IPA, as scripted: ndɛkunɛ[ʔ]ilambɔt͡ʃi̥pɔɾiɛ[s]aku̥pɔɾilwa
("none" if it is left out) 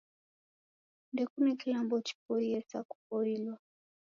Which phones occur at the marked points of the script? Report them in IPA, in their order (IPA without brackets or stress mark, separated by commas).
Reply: k, s